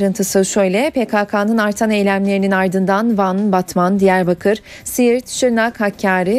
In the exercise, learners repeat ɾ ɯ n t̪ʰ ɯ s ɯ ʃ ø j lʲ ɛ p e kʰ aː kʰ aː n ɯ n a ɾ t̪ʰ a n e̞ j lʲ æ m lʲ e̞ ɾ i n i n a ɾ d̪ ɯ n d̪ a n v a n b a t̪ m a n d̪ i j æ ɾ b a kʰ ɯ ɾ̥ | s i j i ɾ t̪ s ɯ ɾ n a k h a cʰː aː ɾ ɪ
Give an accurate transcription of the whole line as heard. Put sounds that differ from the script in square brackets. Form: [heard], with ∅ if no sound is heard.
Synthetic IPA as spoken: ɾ ɯ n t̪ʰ ɯ s ɯ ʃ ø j lʲ ɛ p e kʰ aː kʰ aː n ɯ n a ɾ t̪ʰ a n e̞ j lʲ æ m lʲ e̞ ɾ i n i n a ɾ d̪ ɯ n d̪ a n v a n b a t̪ m a n d̪ i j æ ɾ b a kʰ ɯ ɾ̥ | s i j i ɾ t̪ [ʃ] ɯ ɾ n a k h a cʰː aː ɾ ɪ